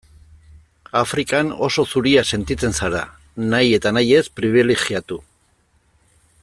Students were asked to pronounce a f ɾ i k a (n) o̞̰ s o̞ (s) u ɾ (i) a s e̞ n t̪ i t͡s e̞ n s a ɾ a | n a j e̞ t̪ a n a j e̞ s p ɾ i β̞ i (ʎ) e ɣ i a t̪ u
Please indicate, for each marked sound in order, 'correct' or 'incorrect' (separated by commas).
correct, correct, correct, incorrect